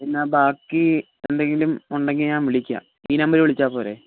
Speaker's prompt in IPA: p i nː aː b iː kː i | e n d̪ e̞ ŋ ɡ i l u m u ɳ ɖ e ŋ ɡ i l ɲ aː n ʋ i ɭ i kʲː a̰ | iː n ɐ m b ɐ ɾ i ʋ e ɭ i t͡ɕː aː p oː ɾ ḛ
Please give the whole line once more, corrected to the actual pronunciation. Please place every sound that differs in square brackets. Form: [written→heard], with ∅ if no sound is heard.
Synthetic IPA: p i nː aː b [iː→aː] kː i | e n d̪ e̞ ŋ ɡ i l u m u ɳ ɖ e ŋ ɡ i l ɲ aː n ʋ i ɭ i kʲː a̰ | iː n ɐ m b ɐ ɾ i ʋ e ɭ i t͡ɕː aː p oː ɾ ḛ

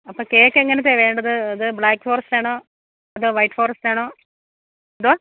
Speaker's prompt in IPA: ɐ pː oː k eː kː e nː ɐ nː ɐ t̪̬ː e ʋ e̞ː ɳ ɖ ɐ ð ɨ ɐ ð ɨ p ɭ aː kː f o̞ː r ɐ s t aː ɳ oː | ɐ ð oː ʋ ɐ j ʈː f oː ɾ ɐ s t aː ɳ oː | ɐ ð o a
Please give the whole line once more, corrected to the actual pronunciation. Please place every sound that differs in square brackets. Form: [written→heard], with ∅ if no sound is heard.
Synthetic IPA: ɐ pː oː k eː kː e [nː→ŋː] ɐ [nː→n] ɐ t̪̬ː e ʋ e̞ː ɳ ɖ ɐ ð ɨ ɐ ð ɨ [p→b] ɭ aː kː f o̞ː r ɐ s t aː ɳ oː | ɐ ð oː ʋ ɐ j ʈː f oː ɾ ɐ s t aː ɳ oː | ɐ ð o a

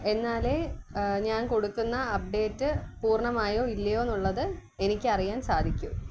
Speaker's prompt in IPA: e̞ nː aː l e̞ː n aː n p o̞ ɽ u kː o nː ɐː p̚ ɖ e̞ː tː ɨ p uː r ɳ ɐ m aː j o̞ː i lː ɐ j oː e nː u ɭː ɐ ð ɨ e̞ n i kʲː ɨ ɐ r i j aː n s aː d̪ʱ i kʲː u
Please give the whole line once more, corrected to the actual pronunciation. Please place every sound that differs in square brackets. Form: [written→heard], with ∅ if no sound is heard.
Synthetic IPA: e̞ nː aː l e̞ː [n→ɲ] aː n [p→k] o̞ ɽ u kː [o→u] nː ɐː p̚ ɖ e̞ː tː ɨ p uː r ɳ ɐ m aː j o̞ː i lː ɐ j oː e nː u ɭː ɐ ð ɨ e̞ n i kʲː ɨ ɐ r i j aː n s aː d̪ʱ i kʲː u

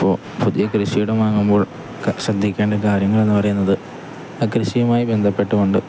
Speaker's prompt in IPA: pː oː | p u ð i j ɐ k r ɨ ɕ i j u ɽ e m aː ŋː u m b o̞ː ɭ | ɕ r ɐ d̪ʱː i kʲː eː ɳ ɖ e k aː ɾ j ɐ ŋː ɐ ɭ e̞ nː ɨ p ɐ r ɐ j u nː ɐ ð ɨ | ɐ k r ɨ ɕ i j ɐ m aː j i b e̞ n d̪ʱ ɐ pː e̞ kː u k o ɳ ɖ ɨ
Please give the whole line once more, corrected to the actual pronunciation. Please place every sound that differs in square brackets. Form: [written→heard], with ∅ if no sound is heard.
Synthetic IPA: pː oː | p u ð i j ɐ k r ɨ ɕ i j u ɽ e m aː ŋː u m b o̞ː ɭ | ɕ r ɐ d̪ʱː i kʲː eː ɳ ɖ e k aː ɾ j ɐ ŋː ɐ ɭ e̞ nː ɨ p ɐ r ɐ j u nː ɐ ð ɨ | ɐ k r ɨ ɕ i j ɐ m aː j i b e̞ n d̪ʱ ɐ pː e̞ [kː→ʈː] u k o ɳ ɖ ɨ

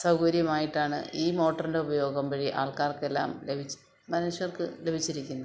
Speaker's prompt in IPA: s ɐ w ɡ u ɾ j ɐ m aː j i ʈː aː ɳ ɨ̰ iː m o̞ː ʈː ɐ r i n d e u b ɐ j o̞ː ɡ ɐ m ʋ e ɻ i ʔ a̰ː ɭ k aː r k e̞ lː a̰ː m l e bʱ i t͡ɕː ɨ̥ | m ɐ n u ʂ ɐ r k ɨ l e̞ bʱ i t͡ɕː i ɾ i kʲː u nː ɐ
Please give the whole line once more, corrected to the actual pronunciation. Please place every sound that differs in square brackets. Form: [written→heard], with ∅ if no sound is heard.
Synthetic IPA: s ɐ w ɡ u ɾ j ɐ m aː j i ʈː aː ɳ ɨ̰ iː m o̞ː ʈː ɐ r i n d e u b ɐ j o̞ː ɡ ɐ m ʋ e ɻ i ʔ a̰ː ɭ k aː r k e̞ lː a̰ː m l e bʱ i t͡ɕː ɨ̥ | m ɐ n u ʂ ɐ r k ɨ l e̞ bʱ i t͡ɕː i ɾ i kʲː u nː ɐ

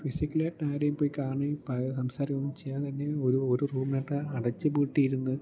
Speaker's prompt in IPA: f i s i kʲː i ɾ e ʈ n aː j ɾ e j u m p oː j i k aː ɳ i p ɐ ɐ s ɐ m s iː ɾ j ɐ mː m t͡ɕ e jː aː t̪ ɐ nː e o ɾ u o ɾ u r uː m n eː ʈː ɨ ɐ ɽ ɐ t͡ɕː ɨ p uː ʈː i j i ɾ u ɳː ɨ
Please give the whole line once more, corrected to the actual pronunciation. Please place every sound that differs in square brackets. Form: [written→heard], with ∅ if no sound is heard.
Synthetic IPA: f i s i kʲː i [ɾ→l] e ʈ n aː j ɾ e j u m p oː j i k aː ɳ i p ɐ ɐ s ɐ m s [iː→aː] ɾ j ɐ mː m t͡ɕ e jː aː t̪ ɐ nː e o ɾ u o ɾ u r uː m n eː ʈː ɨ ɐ ɽ ɐ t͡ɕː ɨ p uː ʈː i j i ɾ u [ɳː→nː] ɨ

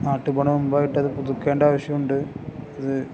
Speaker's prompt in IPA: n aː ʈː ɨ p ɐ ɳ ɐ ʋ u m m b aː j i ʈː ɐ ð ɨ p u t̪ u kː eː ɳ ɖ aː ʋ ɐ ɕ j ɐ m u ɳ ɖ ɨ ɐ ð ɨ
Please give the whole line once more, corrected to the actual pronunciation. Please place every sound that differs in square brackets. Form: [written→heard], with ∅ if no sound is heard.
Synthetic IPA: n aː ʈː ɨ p ɐ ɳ ɐ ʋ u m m b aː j i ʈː ɐ ð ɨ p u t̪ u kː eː ɳ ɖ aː ʋ ɐ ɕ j ɐ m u ɳ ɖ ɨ ɐ ð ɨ

